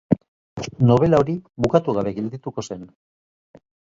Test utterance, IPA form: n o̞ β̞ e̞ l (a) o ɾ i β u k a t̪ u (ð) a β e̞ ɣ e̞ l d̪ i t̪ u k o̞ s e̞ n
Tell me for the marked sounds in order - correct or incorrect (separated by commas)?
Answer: correct, incorrect